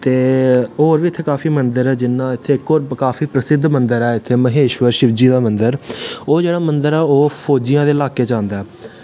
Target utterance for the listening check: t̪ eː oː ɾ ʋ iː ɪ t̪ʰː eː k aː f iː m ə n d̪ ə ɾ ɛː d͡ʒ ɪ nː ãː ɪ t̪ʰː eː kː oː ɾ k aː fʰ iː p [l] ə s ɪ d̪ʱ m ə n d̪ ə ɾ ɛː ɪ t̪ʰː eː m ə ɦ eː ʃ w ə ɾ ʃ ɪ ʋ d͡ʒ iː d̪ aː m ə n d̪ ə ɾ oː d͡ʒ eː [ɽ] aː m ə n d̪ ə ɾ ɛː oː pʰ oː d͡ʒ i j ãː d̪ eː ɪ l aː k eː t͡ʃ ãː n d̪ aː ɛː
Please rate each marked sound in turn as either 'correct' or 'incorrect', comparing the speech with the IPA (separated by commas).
incorrect, correct